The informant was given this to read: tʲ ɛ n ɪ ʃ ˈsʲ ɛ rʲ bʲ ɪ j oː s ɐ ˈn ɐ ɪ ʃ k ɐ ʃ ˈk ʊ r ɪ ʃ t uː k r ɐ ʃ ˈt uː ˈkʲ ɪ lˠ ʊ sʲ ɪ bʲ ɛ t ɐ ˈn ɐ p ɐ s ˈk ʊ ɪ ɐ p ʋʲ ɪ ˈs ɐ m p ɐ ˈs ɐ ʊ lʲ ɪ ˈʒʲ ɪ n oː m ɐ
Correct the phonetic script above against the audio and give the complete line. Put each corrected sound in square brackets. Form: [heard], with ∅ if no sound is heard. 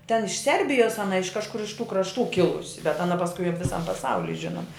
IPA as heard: tʲ ɛ n ɪ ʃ ˈsʲ ɛ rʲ bʲ ɪ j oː s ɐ ˈn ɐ ɪ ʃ k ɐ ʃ ˈk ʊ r ɪ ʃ t uː k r ɐ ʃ ˈt uː ˈkʲ ɪ lˠ ʊ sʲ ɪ bʲ ɛ t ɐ ˈn ɐ p ɐ s ˈk ʊ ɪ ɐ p ʋʲ ɪ ˈs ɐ m p ɐ ˈs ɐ ʊ lʲ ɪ ˈʒʲ ɪ n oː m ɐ